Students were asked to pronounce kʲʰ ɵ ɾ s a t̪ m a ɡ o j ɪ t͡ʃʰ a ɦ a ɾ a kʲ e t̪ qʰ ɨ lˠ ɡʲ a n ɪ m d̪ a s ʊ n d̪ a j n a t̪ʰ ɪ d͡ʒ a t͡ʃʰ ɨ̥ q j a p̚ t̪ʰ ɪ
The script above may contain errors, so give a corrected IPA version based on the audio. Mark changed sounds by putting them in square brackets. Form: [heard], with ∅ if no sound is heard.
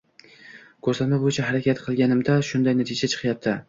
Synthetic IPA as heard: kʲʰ ɵ ɾ s a t̪ m a [b] o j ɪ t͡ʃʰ a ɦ a ɾ a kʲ [a] t̪ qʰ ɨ lˠ ɡʲ a n ɪ m d̪ a [ʃ] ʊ n d̪ a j n a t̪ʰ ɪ d͡ʒ a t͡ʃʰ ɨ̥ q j a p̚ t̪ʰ ɪ